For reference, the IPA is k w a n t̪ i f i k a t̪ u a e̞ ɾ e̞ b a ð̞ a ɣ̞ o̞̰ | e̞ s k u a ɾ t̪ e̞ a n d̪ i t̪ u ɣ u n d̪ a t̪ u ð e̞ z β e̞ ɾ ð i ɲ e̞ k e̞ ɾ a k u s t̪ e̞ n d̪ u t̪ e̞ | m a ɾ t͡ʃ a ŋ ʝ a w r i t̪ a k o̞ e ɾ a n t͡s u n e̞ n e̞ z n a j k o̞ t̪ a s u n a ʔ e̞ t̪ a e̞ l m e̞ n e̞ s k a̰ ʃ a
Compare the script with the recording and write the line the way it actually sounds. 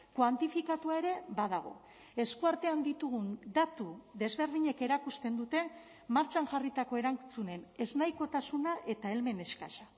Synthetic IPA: k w a n t̪ i f i k a t̪ u a e̞ ɾ e̞ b a ð̞ a ɣ̞ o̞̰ | e̞ s k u a ɾ t̪ e̞ a n d̪ i t̪ u ɣ u n d̪ a t̪ u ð e̞ z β e̞ ɾ ð i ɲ e̞ k e̞ ɾ a k u s t̪ e̞ n d̪ u t̪ e̞ | m a ɾ t͡ʃ a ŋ ʝ a r i t̪ a k o̞ e ɾ a n t͡s u n e̞ n e̞ z n a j k o̞ t̪ a s u n a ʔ e̞ t̪ a e̞ l m e̞ n e̞ s k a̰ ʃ a